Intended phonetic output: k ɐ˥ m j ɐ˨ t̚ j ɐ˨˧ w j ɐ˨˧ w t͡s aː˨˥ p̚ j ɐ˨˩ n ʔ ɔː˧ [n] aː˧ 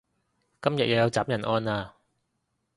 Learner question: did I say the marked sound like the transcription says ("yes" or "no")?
yes